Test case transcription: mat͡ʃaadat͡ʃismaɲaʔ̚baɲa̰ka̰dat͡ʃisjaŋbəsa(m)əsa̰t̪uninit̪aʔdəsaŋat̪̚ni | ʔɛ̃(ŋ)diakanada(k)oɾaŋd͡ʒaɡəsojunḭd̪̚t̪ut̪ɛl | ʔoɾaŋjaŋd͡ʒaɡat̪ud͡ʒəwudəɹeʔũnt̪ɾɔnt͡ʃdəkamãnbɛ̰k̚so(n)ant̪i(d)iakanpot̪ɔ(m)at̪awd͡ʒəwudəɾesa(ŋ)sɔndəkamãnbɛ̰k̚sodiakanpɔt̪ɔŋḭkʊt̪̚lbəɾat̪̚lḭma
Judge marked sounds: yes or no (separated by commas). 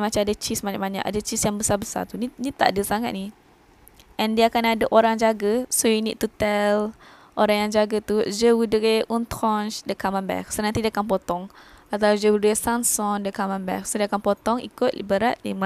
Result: no, no, no, yes, yes, no, no